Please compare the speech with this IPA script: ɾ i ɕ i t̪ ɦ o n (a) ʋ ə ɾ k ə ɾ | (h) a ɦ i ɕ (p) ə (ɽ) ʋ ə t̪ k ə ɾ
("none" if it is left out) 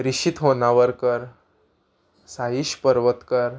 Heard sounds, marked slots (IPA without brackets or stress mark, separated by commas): a, s, p, ɾ